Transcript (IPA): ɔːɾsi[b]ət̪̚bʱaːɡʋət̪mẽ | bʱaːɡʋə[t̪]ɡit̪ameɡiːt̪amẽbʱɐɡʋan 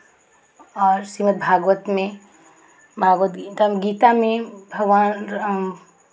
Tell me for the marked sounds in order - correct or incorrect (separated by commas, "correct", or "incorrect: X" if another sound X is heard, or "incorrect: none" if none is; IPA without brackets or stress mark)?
incorrect: m, correct